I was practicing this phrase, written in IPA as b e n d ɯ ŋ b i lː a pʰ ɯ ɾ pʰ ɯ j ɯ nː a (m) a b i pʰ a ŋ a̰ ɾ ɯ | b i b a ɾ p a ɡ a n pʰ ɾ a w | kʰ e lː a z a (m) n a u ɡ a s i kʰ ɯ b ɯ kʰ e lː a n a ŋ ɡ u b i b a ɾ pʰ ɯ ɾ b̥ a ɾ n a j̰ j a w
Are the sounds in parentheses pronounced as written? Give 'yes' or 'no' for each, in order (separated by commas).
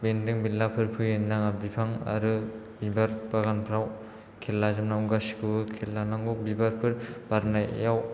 no, yes